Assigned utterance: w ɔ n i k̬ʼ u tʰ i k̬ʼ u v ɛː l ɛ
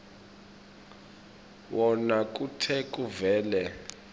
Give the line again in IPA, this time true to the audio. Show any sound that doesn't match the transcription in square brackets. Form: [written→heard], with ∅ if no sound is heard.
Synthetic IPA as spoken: w ɔ n [i→a] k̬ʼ u tʰ [i→ɛ] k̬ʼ u v ɛː l ɛ

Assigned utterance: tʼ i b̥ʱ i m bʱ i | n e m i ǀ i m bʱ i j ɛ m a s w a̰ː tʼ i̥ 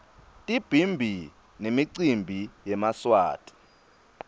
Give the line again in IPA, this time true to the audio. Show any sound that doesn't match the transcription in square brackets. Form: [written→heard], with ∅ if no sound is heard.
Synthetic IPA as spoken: tʼ i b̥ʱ i m bʱ i | n e m i ǀ i m bʱ i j ɛ m a s w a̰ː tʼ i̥

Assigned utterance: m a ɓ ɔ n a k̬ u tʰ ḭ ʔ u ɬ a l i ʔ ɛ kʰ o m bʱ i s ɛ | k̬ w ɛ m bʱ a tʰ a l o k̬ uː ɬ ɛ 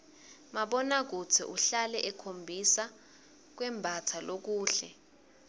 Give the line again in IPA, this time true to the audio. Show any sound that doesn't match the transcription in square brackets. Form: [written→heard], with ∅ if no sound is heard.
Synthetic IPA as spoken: m a ɓ ɔ n a k̬ u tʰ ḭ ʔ u ɬ a l [i→ɛ] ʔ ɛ kʰ o m bʱ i s [ɛ→a] | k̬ w ɛ m bʱ a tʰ a l o k̬ uː ɬ ɛ

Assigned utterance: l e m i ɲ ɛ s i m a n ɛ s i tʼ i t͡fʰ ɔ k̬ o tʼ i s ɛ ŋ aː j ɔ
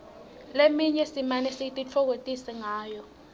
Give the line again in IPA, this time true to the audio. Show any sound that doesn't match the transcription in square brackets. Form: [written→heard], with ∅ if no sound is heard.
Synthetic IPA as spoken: l e m i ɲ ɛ s i m a n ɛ s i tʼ i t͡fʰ ɔ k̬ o tʼ i s ɛ ŋ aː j ɔ

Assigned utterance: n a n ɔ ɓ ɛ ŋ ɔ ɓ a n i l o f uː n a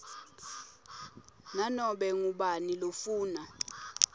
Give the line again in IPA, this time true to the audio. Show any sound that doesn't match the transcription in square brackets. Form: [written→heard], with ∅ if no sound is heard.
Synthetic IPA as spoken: n a n ɔ ɓ ɛ ŋ [ɔ→u] ɓ a n i l o f uː n a

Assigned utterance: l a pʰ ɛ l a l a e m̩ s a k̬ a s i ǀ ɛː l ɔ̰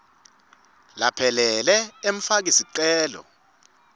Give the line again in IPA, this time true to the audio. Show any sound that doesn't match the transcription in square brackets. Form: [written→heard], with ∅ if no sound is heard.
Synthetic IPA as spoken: l a pʰ ɛ l [a→ɛ] l [a→ɛ] e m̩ [s→f] a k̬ [a→i] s i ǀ ɛː l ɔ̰

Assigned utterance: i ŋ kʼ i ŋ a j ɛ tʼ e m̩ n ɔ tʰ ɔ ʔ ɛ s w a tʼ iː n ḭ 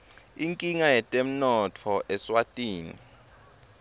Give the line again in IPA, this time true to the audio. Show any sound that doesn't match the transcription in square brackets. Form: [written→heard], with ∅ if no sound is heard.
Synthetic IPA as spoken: i ŋ kʼ i ŋ a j ɛ tʼ e m̩ n ɔ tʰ ɔ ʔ ɛ s w a tʼ iː n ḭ

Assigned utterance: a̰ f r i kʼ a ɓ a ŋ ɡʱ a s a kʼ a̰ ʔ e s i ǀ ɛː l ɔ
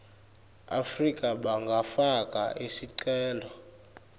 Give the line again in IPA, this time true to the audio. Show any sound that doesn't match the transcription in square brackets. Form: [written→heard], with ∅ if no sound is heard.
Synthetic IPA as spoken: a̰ f r i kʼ a ɓ a ŋ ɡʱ a [s→f] a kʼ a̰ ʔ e s i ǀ ɛː l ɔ

